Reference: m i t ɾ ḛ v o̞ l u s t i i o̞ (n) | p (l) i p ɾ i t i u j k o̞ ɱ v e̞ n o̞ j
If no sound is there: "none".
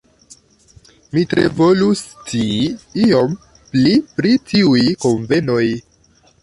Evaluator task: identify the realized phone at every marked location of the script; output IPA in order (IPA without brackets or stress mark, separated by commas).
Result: m, l